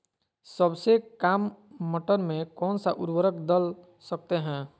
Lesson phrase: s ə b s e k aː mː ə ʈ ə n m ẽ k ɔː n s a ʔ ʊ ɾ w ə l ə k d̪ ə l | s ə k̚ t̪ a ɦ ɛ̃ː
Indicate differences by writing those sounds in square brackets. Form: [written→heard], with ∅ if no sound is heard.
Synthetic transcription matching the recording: s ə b s e k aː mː ə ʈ ə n m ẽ k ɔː n s a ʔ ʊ ɾ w ə [l→ɾ] ə k d̪ ə l | s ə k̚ t̪ [a→e] ɦ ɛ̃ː